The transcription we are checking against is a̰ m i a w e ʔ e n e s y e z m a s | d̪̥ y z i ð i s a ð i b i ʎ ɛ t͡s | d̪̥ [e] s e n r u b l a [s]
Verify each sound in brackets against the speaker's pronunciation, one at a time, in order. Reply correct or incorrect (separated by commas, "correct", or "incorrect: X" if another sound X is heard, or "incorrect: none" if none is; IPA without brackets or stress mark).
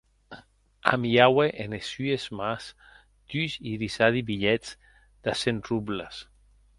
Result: incorrect: a, correct